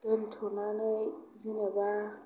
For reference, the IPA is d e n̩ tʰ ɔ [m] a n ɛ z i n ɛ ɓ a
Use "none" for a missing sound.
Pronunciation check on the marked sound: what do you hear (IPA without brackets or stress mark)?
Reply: n